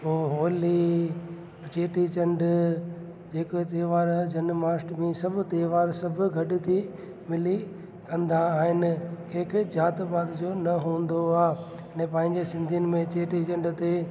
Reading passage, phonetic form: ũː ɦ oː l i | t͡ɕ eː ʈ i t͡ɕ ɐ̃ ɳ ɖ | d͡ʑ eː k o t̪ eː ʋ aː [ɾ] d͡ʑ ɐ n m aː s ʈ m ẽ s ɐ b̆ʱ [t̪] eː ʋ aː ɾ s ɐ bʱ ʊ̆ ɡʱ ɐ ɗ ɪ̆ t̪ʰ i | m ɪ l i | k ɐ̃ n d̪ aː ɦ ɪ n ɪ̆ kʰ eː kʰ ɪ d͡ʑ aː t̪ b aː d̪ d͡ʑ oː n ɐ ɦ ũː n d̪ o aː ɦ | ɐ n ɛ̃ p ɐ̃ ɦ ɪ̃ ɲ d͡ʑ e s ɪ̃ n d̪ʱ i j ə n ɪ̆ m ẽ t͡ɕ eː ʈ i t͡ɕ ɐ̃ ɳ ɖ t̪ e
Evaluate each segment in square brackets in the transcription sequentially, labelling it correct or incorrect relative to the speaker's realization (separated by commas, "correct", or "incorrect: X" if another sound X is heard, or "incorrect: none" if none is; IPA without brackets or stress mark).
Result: correct, correct